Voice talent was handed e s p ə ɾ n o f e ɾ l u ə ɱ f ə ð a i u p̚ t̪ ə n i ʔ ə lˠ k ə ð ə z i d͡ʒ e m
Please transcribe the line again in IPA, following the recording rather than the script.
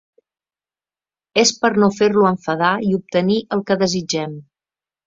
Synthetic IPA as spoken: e s p ə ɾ n o f e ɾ l u ə ɱ f ə ð a i u p̚ t̪ ə n i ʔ ə lˠ k ə ð ə z i d͡ʒ ɛ m